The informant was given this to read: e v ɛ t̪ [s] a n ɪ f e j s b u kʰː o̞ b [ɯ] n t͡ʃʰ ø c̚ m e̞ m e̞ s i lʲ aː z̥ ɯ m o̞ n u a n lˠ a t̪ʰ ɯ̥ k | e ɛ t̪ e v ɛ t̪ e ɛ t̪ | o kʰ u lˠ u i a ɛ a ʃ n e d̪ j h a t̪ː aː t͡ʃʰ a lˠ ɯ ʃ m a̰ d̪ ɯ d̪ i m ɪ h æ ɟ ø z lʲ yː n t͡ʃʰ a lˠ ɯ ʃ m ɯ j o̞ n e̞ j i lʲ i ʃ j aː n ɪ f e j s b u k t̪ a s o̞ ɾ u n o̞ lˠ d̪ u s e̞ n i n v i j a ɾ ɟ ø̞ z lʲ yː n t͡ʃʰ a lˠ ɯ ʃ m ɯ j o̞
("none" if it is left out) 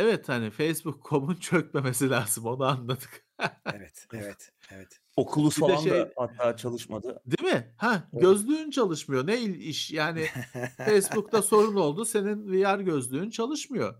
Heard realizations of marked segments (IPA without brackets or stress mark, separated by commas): h, u